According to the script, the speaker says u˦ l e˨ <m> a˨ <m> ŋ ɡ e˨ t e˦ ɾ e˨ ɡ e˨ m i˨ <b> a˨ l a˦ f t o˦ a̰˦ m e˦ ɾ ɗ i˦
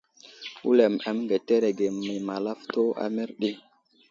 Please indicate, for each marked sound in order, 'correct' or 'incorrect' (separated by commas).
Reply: correct, correct, incorrect